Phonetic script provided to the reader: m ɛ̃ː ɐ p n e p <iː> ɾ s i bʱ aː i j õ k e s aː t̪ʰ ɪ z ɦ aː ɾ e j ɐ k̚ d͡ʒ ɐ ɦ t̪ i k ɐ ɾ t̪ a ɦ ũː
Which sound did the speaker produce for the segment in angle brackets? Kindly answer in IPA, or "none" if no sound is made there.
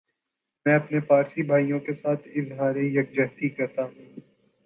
aː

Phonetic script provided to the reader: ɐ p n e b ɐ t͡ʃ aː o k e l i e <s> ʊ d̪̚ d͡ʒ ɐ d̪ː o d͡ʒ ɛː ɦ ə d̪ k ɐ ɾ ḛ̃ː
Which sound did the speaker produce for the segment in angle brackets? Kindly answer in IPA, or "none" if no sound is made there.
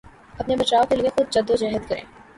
x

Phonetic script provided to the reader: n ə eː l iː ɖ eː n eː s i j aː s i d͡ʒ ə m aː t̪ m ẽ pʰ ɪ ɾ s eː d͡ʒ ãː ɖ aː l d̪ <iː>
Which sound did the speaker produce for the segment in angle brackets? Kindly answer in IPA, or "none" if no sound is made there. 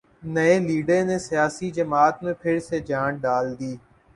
iː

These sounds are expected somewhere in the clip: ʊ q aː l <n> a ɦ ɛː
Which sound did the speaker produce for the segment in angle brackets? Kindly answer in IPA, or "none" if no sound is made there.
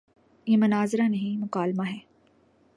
m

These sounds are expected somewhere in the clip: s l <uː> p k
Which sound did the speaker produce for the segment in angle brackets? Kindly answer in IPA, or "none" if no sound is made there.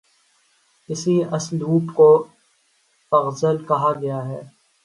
uː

